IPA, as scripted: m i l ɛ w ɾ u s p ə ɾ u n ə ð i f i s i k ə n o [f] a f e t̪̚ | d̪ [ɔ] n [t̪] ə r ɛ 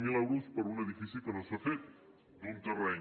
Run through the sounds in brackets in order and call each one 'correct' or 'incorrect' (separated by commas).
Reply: incorrect, incorrect, correct